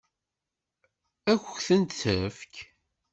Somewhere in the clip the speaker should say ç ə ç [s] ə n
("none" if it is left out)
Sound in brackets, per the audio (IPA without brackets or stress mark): θ